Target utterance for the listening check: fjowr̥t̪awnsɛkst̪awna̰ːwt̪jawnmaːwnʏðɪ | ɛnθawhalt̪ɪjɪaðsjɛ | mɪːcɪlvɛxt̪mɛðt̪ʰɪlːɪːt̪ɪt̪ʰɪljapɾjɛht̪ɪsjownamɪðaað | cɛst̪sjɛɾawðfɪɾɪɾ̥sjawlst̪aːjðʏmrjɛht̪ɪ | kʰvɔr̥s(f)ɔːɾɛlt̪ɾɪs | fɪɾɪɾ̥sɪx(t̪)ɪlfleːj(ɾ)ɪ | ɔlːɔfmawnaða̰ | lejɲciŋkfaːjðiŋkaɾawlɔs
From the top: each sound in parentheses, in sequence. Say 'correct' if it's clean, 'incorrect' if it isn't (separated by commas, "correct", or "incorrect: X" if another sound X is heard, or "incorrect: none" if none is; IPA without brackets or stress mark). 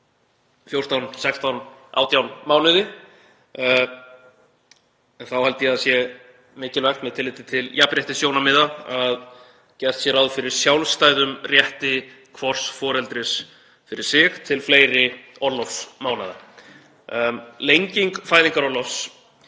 correct, incorrect: t̪ʰ, correct